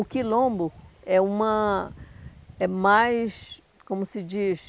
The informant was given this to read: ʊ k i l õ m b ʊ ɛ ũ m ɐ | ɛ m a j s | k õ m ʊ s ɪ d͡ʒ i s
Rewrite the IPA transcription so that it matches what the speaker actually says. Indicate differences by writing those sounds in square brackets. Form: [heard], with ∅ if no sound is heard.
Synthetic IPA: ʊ k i l õ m b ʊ ɛ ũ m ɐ | ɛ m a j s | k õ m ʊ s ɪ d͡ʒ i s

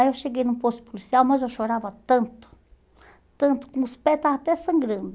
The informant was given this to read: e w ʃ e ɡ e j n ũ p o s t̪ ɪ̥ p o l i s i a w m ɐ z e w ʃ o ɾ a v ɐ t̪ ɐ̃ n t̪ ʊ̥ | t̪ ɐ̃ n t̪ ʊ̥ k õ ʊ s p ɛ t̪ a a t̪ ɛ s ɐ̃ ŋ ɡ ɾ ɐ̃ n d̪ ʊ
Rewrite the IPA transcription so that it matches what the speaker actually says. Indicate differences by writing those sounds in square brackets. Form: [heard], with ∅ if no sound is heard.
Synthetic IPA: e w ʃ e ɡ e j n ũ p o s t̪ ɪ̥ p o l i s i a w m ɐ z e w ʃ o ɾ a v ɐ t̪ ɐ̃ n t̪ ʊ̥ | t̪ ɐ̃ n t̪ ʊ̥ k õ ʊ s p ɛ t̪ a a t̪ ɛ s ɐ̃ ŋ ɡ ɾ ɐ̃ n d̪ ʊ

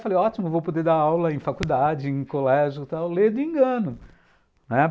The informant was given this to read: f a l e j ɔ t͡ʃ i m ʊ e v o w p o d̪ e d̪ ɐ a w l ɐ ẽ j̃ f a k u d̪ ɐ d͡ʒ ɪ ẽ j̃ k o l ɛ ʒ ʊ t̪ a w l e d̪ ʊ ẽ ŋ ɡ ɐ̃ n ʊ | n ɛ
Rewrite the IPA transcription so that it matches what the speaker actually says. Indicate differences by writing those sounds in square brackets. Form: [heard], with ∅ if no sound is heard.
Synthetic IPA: f a l e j ɔ t͡ʃ i m ʊ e v o w p o d̪ e d̪ [a] a w l ɐ ẽ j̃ f a k u d̪ [a] d͡ʒ ɪ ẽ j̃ k o l ɛ ʒ ʊ t̪ a w l e d̪ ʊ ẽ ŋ ɡ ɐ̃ n ʊ | n ɛ

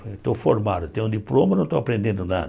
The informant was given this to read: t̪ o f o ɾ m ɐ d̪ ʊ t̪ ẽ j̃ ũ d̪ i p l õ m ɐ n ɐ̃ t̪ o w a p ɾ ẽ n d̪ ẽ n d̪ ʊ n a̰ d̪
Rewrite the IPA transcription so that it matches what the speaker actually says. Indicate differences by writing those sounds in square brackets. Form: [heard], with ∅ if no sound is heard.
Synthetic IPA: t̪ o f o ɾ m [a] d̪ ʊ t̪ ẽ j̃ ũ d̪ i p l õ m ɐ n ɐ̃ t̪ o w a p ɾ ẽ n d̪ ẽ n d̪ ʊ n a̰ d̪

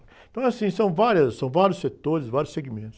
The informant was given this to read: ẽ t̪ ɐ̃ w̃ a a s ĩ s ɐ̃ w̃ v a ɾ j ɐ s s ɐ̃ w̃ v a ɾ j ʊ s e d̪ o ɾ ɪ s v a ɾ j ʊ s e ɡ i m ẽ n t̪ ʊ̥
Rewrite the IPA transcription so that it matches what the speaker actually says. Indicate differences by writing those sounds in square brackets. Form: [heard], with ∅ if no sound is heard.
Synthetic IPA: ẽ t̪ ɐ̃ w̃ [ɛ] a s ĩ s ɐ̃ w̃ v a ɾ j ɐ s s ɐ̃ w̃ v a ɾ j ʊ s e [t̪] o ɾ ɪ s v a ɾ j ʊ s e ɡ i m ẽ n t̪ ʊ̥

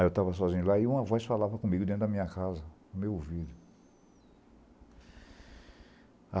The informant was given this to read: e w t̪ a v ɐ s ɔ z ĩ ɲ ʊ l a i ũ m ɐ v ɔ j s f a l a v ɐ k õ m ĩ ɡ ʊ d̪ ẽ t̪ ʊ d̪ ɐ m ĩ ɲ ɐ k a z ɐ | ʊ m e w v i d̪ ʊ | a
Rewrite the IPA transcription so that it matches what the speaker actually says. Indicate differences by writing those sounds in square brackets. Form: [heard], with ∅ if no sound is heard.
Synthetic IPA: e w t̪ a v ɐ s ɔ z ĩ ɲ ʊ l a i ũ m ɐ v ɔ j s f a l a v ɐ k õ m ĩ ɡ ʊ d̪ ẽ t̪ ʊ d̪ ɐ m ĩ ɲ ɐ k a z ɐ | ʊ m e w v i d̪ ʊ | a

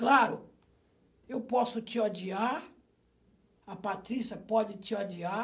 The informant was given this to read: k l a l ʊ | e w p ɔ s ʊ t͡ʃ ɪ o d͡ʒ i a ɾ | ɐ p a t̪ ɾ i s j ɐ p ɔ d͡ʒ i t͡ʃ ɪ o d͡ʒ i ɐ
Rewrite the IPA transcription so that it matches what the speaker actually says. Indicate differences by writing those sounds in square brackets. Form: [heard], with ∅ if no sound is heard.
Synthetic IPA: k l a [ɾ] ʊ | e w p ɔ s ʊ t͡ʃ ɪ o d͡ʒ i a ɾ | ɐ p a t̪ ɾ i s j ɐ p ɔ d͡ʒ [ɪ] t͡ʃ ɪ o d͡ʒ i [a]

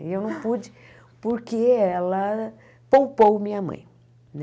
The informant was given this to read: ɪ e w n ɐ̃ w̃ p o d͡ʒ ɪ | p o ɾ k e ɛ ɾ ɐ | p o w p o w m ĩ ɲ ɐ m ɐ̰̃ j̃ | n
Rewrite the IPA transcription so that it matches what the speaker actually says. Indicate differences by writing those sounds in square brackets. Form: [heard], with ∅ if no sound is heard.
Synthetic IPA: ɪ e w n ɐ̃ w̃ p [u] d͡ʒ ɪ | p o ɾ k e ɛ [l] ɐ | p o w p o w m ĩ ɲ ɐ m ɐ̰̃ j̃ | n

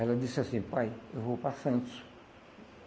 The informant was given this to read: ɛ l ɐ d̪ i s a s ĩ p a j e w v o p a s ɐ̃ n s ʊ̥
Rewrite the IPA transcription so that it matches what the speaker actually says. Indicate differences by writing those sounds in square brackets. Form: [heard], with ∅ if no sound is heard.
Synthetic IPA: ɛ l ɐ d̪ i s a s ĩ p a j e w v o p a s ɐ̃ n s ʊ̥

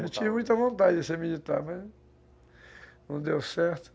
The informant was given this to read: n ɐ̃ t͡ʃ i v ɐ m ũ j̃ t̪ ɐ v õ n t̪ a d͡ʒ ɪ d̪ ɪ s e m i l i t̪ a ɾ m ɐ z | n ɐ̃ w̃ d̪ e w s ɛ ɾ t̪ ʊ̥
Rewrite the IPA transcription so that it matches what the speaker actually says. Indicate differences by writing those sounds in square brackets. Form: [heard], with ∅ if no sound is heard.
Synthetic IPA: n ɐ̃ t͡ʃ i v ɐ m ũ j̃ t̪ ɐ v õ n t̪ a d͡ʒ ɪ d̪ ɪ s e m i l i t̪ a ɾ m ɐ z | n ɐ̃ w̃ d̪ e w s ɛ ɾ t̪ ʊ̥

